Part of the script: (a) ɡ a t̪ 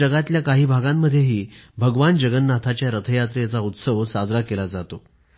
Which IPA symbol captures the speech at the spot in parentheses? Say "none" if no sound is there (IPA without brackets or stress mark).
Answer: ə